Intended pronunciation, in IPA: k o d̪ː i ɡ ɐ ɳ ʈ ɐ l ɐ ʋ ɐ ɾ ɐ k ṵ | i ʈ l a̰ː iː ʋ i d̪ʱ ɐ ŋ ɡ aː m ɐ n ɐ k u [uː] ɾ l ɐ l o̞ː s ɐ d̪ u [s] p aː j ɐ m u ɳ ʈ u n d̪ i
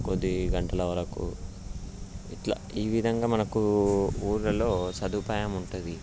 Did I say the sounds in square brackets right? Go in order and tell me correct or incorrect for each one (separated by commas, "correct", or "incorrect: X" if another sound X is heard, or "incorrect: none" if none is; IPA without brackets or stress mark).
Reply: correct, incorrect: none